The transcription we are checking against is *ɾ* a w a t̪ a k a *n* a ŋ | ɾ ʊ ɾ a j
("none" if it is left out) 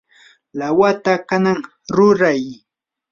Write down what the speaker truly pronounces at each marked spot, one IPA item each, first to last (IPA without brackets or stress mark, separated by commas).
l, n